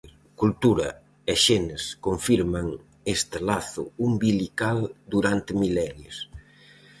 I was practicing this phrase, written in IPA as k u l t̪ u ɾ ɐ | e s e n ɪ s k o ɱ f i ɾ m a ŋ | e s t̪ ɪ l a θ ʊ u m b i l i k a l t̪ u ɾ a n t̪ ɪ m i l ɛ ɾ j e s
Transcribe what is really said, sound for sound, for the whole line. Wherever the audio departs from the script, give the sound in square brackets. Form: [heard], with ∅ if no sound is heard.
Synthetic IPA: k u l t̪ u ɾ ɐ | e [ʃ] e n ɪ s k o ɱ f i ɾ m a ŋ | e s t̪ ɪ l a θ ʊ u m b i l i k a l [d̪] u ɾ a n t̪ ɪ m i l ɛ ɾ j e s